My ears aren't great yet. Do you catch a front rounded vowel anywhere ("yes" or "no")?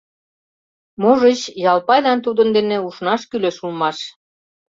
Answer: yes